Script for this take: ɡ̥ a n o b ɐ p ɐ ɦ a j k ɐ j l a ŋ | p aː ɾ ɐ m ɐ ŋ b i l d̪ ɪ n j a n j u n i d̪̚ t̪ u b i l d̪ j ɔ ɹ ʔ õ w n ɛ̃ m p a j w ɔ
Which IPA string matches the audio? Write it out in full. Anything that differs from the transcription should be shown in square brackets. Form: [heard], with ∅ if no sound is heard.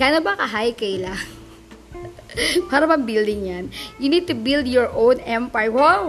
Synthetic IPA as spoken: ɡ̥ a n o b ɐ [k] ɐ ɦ a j k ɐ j l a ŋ | p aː ɾ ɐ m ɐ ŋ b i l d̪ ɪ [ŋ] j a n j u n i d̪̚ t̪ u b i l d̪ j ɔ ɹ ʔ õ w n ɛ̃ m p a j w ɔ